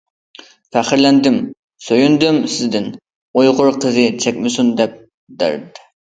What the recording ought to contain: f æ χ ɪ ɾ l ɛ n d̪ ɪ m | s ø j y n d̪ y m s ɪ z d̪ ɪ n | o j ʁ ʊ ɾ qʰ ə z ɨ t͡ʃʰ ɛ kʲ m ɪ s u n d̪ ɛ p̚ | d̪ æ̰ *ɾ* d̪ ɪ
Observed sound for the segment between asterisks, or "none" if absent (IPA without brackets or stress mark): ɾ